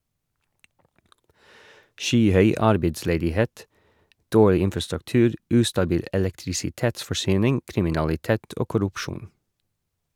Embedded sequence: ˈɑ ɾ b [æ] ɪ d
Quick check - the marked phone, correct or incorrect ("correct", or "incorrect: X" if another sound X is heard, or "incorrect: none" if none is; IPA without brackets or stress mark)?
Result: incorrect: e